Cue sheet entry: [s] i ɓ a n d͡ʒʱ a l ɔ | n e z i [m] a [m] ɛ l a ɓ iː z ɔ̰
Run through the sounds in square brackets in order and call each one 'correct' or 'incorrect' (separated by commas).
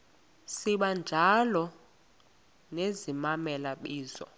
correct, correct, correct